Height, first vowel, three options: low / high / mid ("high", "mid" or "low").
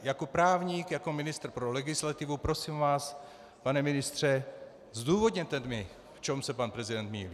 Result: low